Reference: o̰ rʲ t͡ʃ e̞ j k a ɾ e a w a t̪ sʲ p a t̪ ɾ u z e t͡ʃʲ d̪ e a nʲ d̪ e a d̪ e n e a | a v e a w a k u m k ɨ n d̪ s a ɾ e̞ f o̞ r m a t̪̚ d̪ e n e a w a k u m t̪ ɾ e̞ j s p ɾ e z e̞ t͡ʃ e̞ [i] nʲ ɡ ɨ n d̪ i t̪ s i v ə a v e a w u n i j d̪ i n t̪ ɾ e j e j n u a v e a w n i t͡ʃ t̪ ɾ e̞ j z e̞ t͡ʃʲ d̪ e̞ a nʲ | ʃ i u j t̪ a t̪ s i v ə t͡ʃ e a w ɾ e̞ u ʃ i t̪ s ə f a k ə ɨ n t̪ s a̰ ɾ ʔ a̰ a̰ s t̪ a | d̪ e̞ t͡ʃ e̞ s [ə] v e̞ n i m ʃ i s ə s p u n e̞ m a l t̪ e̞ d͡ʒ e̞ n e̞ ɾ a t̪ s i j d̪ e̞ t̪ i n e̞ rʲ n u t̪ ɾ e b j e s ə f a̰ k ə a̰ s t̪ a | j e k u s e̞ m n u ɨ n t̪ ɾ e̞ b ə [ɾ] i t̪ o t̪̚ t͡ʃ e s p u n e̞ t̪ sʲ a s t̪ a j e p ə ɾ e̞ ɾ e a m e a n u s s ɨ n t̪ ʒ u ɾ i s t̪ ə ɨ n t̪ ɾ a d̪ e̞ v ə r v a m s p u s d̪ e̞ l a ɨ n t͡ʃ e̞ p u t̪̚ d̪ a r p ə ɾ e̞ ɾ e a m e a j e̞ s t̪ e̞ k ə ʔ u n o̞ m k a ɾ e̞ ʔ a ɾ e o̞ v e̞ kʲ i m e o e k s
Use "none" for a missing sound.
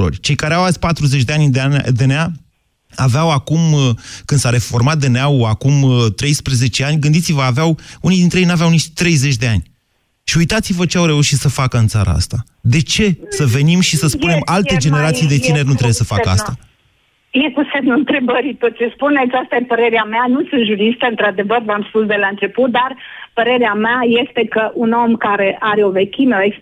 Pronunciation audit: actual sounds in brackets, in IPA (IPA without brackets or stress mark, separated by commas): a, ə, ɾ